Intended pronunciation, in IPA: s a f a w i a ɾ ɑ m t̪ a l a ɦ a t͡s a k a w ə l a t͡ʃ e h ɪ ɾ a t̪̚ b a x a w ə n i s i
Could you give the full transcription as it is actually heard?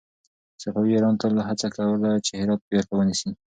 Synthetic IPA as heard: s a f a w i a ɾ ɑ n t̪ a l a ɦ a t͡s a k a w ə l a t͡ʃ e h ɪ ɾ ɑ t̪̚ b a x a w ə n i s i